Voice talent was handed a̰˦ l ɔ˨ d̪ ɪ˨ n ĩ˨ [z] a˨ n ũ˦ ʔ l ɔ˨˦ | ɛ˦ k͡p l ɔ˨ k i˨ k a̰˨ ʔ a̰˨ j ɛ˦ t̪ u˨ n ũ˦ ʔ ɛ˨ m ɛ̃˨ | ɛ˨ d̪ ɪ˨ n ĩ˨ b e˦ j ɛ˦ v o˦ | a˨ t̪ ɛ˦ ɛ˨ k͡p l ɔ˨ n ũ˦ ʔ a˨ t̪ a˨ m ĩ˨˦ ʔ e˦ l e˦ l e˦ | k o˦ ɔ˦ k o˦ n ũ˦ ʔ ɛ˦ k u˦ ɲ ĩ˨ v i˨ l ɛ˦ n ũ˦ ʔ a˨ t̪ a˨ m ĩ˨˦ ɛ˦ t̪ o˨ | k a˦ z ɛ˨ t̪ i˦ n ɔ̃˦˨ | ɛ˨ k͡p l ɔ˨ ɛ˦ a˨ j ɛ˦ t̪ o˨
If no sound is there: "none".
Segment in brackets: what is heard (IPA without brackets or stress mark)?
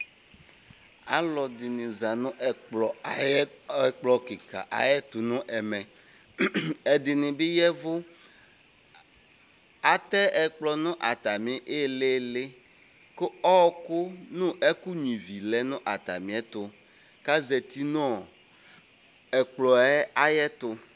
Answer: z